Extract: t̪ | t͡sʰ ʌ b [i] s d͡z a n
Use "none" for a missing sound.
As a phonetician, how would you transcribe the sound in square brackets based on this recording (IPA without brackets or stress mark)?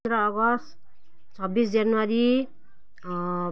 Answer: i